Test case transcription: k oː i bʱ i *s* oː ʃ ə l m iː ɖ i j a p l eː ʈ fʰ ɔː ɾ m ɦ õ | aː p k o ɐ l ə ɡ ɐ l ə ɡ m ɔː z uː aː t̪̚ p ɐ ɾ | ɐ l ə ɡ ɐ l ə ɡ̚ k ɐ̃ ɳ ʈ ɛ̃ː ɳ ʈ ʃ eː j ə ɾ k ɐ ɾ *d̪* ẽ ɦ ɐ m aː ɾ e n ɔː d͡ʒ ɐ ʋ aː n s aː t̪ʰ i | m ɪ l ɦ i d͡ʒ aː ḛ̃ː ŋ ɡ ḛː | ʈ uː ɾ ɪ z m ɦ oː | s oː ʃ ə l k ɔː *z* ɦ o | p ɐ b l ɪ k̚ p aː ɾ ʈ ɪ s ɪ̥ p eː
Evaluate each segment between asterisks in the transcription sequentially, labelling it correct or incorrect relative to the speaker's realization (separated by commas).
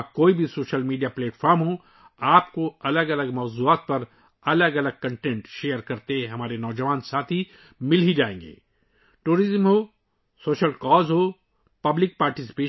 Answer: correct, incorrect, correct